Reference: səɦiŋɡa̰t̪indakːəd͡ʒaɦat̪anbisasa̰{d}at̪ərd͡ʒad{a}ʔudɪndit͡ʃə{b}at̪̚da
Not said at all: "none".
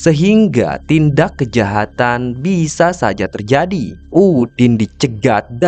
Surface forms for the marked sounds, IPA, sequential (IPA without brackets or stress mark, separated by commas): d͡ʒ, i, ɡ